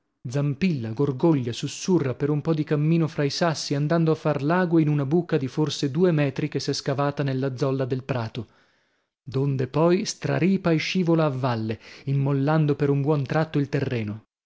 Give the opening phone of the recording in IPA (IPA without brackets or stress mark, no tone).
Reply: d̪